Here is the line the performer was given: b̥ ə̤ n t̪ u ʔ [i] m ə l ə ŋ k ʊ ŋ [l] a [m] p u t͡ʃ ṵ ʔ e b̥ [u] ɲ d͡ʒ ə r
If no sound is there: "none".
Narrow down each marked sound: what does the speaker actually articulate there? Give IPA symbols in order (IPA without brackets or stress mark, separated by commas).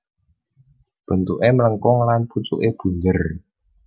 e, l, n, u